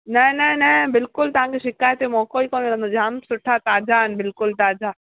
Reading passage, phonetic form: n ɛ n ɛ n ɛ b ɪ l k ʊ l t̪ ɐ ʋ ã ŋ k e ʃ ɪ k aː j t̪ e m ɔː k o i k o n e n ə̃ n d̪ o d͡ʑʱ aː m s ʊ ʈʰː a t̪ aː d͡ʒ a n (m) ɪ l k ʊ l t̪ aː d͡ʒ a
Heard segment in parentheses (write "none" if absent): b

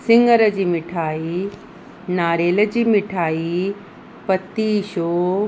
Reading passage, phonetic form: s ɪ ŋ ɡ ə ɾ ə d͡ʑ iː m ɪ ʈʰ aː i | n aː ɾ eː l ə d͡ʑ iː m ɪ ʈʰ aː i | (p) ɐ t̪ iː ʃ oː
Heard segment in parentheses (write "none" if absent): p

